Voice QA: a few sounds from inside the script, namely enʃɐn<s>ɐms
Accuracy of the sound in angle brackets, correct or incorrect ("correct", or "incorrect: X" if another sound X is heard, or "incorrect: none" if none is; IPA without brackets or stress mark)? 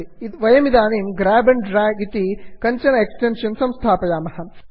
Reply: correct